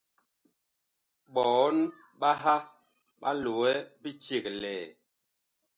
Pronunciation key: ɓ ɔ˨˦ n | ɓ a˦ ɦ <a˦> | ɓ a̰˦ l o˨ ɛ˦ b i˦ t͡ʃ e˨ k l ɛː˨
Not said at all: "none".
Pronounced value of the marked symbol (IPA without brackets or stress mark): a˦